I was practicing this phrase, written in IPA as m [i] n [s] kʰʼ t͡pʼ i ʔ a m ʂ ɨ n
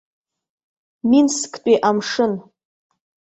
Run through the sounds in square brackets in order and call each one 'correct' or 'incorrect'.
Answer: correct, correct

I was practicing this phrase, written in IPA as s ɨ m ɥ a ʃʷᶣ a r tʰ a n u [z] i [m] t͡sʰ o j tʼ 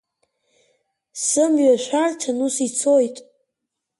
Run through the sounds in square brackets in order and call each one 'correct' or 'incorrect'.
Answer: incorrect, incorrect

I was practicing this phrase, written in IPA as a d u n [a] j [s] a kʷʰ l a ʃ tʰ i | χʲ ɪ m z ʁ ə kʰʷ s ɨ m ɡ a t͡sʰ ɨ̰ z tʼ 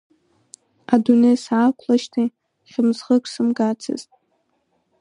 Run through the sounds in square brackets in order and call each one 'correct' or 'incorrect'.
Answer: incorrect, correct

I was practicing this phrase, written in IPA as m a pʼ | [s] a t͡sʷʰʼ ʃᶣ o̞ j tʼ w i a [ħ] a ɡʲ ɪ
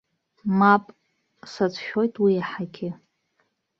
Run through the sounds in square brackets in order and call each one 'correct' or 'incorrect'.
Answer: correct, correct

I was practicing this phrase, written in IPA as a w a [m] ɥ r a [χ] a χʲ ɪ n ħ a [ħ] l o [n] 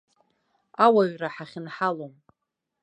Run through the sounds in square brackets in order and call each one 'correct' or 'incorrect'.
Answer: incorrect, incorrect, incorrect, incorrect

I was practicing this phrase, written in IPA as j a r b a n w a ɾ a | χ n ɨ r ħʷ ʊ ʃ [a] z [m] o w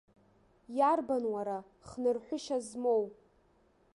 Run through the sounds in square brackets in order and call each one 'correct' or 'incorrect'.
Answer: correct, correct

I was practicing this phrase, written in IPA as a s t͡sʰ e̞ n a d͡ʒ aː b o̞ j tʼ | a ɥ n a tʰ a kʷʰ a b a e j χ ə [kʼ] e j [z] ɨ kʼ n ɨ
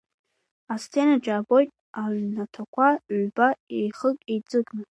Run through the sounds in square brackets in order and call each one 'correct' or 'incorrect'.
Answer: correct, incorrect

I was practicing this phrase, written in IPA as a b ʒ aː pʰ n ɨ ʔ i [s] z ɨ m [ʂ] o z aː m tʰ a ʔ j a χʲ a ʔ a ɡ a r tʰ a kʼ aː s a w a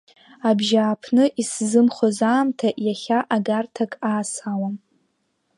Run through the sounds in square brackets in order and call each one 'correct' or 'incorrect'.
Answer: correct, incorrect

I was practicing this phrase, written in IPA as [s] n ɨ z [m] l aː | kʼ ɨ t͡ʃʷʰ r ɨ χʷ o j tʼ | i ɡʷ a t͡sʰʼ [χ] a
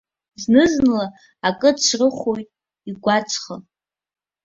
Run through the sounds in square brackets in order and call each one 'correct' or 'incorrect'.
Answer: incorrect, incorrect, correct

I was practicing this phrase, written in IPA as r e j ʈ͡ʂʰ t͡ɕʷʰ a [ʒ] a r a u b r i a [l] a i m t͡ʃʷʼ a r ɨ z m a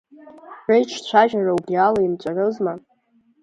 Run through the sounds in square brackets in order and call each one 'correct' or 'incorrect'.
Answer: correct, correct

